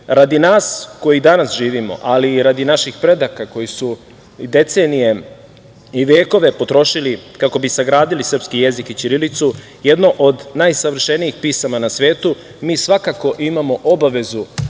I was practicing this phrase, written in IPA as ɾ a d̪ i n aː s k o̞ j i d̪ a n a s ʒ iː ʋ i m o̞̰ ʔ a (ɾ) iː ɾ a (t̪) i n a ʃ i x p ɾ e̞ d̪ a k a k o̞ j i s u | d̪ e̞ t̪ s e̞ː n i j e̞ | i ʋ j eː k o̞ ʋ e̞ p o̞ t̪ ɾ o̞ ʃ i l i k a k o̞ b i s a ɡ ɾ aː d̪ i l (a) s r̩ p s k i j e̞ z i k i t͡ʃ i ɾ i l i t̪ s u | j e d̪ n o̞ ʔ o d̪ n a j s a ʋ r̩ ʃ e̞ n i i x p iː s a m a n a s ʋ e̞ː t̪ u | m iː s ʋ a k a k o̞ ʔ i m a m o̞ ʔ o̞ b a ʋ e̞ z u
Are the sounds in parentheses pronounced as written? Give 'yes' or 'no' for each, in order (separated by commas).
no, no, no